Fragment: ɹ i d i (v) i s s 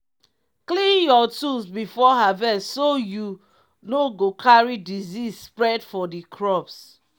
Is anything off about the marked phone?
yes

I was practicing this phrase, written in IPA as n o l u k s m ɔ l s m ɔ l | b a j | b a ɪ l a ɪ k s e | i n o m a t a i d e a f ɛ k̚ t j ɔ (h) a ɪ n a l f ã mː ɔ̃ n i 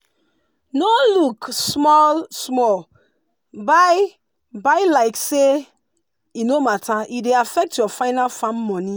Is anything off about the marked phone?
yes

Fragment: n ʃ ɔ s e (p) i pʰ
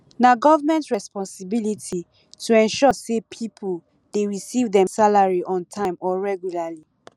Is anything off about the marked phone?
yes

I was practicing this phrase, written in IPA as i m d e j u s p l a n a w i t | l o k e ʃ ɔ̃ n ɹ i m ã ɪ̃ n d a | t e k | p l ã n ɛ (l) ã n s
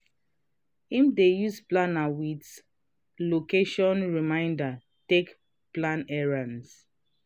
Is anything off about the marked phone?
yes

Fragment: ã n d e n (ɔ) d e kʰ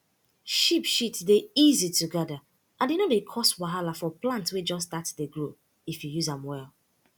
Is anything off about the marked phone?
yes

